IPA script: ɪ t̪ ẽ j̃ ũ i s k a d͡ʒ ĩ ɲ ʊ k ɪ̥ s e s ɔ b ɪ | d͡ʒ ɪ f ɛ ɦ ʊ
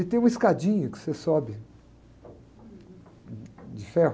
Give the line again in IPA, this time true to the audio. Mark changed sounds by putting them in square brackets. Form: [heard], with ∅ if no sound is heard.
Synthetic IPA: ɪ t̪ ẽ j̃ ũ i s k a d͡ʒ ĩ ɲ ʊ k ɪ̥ s e s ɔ b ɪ | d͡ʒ ɪ f ɛ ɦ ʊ